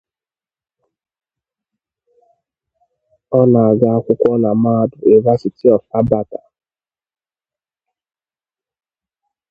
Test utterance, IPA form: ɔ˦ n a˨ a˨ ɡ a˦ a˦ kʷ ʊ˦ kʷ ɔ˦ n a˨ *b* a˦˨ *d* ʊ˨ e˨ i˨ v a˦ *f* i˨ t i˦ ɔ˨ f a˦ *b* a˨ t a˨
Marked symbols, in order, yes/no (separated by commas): no, yes, no, yes